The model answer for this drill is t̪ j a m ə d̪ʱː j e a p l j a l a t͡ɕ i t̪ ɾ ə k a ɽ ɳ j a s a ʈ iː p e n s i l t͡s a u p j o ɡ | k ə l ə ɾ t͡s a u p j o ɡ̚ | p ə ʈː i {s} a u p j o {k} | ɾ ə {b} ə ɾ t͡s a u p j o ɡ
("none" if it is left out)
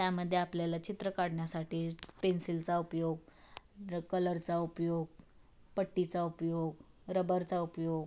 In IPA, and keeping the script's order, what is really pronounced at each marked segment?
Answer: t͡s, ɡ, b

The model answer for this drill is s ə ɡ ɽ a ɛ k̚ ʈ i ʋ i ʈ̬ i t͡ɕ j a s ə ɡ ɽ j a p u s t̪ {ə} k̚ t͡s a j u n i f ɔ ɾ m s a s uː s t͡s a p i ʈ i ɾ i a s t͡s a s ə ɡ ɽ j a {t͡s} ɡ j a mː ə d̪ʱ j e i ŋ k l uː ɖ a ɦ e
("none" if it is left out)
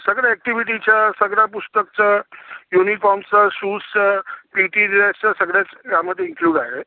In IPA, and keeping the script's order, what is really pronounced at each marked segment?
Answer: ə, t͡s

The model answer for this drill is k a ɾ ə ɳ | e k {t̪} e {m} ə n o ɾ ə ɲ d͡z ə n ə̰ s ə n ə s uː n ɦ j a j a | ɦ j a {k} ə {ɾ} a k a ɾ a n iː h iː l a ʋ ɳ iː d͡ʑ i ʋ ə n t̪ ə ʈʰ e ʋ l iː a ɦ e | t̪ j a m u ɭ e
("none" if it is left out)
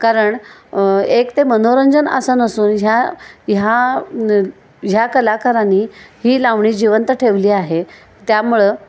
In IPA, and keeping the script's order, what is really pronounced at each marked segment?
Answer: t̪, m, k, l

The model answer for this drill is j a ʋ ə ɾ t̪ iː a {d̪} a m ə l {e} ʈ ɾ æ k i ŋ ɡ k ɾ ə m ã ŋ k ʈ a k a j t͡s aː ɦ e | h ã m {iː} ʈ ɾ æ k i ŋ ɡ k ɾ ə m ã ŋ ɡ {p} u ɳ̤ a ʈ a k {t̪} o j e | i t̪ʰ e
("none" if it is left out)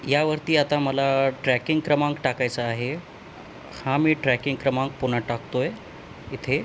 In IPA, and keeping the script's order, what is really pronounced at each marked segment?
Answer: t̪, a, iː, p, t̪

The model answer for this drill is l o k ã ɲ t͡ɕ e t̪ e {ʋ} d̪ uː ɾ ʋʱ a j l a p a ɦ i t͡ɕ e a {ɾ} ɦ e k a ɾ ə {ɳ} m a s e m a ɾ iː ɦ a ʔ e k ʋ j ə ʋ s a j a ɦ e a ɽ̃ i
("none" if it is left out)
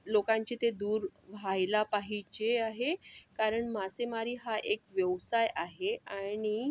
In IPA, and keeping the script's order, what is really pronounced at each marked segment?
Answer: none, none, ɳ

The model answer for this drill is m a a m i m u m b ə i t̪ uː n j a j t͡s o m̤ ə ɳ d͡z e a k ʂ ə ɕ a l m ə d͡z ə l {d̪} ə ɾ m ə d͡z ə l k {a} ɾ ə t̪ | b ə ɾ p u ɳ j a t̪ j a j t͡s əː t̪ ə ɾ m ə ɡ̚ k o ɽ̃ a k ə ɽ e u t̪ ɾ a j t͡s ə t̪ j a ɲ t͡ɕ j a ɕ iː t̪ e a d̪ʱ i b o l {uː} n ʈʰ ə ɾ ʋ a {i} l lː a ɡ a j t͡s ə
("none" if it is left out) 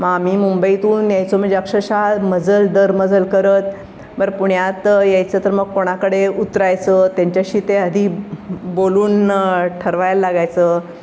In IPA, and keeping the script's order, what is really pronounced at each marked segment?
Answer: d̪, ə, uː, j

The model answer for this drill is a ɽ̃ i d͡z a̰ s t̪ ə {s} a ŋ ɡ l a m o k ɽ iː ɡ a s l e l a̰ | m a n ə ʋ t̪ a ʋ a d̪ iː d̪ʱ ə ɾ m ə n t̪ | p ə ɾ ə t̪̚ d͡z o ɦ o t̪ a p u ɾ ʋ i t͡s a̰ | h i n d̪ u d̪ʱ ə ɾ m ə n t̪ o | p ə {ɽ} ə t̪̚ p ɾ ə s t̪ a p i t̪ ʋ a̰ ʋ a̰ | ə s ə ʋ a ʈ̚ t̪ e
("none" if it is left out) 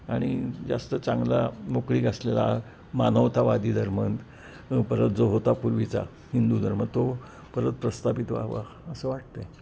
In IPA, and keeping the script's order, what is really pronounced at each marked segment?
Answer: t͡s, ɾ

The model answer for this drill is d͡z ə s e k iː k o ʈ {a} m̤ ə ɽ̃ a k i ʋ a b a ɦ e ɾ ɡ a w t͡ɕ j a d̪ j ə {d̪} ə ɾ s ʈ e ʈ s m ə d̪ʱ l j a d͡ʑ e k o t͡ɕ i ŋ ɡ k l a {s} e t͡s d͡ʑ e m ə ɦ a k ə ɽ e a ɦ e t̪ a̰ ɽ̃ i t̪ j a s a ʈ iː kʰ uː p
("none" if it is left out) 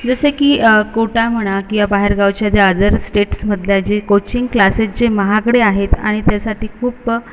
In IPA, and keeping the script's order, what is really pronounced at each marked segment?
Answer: a, d̪, s

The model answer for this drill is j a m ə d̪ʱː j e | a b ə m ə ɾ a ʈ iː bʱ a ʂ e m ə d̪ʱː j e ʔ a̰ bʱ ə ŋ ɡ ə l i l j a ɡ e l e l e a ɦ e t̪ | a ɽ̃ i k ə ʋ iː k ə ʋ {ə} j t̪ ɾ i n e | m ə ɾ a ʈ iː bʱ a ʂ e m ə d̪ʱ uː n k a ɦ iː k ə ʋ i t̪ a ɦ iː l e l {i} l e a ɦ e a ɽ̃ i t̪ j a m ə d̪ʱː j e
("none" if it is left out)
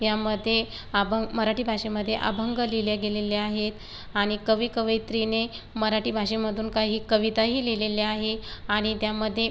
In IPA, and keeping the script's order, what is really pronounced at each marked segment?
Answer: ə, e

